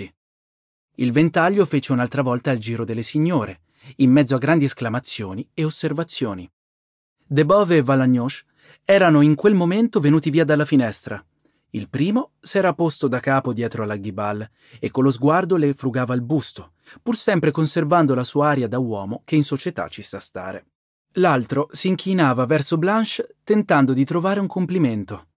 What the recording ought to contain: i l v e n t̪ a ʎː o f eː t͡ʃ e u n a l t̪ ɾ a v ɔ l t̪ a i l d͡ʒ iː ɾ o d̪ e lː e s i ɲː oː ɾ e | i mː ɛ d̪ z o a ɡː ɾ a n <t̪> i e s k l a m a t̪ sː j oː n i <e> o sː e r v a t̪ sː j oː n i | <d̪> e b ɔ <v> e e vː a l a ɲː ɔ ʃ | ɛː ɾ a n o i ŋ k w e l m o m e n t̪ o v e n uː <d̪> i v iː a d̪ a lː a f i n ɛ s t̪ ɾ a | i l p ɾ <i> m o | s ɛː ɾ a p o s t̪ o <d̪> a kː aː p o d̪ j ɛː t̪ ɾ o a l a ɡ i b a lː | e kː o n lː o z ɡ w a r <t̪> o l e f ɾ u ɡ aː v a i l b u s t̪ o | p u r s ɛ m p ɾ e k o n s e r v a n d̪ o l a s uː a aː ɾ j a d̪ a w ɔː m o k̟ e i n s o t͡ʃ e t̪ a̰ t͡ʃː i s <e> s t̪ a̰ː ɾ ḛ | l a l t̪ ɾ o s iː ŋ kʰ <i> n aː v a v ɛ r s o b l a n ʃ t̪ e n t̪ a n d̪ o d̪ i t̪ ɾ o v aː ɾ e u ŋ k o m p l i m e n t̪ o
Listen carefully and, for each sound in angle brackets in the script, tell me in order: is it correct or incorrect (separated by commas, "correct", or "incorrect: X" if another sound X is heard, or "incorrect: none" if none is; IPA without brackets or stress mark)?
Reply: incorrect: d̪, correct, correct, correct, incorrect: t̪, incorrect: iː, correct, incorrect: d̪, incorrect: a, correct